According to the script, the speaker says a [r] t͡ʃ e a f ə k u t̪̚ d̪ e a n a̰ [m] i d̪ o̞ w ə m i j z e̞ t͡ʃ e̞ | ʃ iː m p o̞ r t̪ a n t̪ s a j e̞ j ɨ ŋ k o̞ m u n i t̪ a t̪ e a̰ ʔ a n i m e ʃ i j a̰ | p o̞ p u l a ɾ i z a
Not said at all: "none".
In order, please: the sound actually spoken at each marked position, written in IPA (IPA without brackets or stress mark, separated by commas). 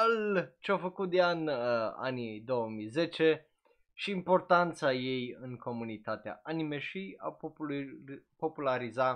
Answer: l, n